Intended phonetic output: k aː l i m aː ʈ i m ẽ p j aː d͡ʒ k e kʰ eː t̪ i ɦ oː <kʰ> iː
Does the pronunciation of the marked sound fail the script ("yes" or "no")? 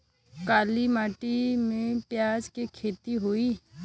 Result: yes